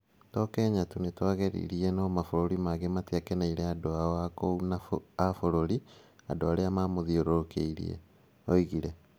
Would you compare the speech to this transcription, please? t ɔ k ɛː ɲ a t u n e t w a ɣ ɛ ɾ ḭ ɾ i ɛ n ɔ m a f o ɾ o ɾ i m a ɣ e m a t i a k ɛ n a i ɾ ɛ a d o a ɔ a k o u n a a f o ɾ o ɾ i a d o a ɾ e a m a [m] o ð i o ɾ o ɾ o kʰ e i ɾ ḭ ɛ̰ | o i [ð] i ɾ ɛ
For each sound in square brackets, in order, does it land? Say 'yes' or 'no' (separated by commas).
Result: yes, no